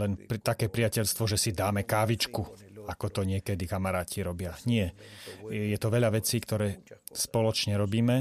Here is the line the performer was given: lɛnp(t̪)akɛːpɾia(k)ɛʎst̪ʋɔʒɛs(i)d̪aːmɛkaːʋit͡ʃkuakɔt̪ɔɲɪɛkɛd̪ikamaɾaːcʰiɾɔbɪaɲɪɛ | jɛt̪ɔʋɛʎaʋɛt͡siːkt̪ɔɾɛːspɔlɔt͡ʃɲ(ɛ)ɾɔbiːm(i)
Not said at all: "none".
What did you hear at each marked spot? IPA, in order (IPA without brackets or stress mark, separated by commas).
t̪, c, i, ɛ, ɛ